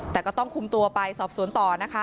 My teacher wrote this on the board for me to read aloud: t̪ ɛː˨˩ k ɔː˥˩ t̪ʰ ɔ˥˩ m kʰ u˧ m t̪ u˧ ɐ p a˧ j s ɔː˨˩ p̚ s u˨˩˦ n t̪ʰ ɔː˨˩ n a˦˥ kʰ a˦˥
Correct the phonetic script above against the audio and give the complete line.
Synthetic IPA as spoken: t̪ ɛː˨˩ k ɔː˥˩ t̪ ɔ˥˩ ŋ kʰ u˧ m t̪ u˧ ɐ p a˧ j s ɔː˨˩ p̚ s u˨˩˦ n t̪ ɔː˨˩ n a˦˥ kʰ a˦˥